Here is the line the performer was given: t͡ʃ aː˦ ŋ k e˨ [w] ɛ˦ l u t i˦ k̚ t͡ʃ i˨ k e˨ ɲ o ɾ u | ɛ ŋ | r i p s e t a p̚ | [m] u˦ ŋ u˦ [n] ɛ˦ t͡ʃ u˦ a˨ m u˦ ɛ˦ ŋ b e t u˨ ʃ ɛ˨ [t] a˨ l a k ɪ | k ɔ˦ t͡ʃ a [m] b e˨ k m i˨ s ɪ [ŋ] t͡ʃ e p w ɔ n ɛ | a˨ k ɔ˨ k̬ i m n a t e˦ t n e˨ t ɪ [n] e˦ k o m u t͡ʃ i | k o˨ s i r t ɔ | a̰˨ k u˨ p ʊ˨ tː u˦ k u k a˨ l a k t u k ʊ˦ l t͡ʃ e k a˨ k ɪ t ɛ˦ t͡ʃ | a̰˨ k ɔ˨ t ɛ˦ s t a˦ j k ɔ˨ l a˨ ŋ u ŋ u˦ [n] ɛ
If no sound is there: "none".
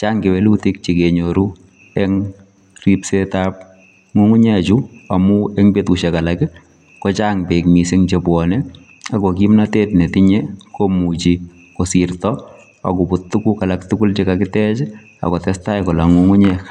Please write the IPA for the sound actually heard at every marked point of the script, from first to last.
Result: w, ŋ, ɲ, k, ŋ, ŋ, ɲ, ɲ

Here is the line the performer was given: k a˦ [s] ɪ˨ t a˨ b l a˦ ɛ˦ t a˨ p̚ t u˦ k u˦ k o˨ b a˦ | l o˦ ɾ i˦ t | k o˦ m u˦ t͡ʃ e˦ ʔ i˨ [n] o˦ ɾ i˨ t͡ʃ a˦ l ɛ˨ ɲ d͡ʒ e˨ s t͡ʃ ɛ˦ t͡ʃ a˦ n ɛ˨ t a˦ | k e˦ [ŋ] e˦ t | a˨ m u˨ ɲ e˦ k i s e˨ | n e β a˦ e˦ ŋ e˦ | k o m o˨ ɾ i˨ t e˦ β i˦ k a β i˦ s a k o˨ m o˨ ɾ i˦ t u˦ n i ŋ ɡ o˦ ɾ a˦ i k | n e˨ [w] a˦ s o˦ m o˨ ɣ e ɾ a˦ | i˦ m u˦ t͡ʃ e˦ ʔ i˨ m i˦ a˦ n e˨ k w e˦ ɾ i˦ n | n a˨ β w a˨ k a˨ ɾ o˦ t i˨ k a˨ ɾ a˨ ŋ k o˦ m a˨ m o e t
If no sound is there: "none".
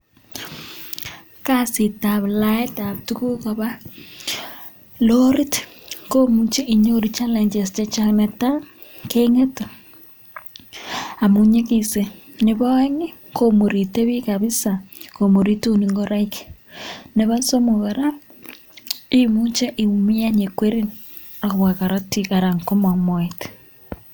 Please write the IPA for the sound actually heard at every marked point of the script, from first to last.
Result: s, ɲ, ŋ, β

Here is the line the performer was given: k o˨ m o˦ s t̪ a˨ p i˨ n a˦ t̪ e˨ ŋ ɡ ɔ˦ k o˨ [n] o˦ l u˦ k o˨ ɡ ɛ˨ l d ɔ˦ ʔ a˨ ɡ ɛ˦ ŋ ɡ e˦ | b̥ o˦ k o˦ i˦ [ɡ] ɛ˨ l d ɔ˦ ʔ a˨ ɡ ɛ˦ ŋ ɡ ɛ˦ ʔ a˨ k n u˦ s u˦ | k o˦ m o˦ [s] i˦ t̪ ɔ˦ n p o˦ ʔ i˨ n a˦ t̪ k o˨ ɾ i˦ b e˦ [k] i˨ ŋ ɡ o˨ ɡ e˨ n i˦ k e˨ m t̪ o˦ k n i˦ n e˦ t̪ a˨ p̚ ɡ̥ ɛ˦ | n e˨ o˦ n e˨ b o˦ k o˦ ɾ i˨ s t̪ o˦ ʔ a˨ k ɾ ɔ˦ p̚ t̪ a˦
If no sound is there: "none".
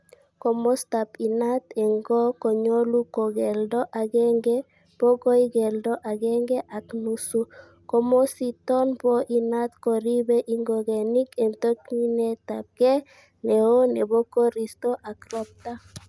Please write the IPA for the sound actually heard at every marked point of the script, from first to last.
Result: ɲ, ɡ, s, ʔ

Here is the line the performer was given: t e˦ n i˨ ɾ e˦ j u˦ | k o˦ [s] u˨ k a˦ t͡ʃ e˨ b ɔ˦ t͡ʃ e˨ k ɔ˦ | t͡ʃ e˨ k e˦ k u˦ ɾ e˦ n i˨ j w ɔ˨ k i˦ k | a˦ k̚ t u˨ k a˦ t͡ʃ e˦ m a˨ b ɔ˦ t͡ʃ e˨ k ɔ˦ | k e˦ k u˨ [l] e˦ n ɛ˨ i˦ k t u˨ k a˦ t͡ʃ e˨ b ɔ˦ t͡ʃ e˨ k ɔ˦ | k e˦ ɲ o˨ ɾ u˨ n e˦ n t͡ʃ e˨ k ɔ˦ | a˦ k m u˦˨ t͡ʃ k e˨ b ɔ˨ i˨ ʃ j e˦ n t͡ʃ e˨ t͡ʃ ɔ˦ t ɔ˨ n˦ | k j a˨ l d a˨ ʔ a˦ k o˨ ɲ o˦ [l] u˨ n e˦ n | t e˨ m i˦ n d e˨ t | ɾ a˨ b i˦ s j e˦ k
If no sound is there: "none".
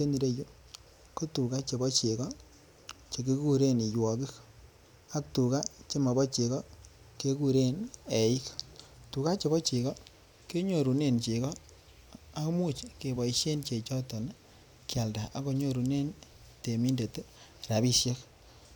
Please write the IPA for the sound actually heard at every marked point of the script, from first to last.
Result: t, ɾ, ɾ

